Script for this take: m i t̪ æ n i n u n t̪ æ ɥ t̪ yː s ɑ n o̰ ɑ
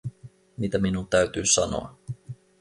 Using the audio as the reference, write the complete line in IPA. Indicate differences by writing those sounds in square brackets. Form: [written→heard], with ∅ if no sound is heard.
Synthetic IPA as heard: m i t̪ æ [n→m] i n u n t̪ æ ɥ t̪ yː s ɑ n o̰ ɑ